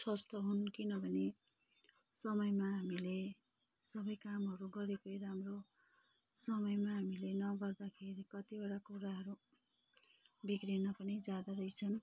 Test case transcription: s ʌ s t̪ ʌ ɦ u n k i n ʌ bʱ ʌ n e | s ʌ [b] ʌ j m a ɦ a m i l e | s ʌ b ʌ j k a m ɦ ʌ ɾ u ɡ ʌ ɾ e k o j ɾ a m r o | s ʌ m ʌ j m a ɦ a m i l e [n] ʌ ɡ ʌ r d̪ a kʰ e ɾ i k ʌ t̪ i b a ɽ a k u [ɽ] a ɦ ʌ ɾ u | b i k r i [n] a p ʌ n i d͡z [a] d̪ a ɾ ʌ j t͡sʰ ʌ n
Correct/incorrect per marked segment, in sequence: incorrect: m, correct, incorrect: ɾ, correct, correct

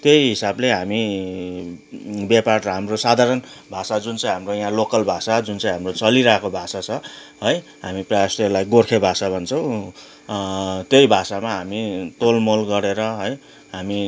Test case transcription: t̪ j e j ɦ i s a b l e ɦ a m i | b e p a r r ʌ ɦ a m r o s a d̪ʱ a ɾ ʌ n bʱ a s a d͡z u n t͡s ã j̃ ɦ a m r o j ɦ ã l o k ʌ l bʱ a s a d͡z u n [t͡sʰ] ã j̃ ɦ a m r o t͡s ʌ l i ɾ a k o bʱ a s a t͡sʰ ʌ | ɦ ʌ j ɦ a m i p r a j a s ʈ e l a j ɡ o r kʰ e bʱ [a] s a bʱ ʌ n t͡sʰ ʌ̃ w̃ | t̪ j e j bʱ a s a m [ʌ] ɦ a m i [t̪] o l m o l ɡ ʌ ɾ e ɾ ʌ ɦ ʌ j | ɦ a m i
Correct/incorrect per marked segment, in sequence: incorrect: t͡s, correct, incorrect: a, correct

